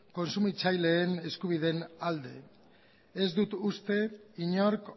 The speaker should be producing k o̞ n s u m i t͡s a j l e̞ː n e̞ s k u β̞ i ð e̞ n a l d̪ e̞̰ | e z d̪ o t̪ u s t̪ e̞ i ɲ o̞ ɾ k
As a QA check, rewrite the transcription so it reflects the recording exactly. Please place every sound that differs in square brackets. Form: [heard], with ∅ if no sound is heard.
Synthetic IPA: k o̞ n s u m i t͡s a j l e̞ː n e̞ s k u β̞ i ð e̞ n a l d̪ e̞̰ | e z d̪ [u] t̪ u s t̪ e̞ i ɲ o̞ ɾ k